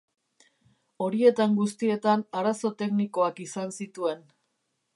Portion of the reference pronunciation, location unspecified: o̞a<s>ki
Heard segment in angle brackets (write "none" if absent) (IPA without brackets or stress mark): none